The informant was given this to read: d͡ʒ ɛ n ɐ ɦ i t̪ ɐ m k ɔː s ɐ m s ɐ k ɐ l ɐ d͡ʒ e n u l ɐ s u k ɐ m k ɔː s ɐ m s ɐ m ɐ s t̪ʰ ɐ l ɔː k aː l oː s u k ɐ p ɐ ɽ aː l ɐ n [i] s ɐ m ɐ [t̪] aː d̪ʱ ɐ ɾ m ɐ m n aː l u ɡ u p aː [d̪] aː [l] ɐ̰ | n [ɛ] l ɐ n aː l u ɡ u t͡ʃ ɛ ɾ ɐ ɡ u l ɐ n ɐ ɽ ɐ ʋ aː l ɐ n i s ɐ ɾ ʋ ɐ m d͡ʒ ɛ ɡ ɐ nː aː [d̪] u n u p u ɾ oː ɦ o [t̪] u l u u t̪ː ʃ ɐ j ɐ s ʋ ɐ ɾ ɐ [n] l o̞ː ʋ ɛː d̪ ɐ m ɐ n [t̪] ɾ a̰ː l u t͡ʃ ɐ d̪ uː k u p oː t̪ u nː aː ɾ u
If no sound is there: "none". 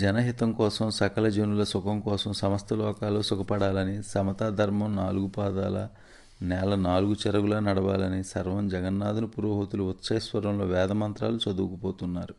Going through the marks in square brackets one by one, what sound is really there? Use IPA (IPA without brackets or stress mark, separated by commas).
i, t̪, d̪, l, ɛː, d̪, t̪, m, t̪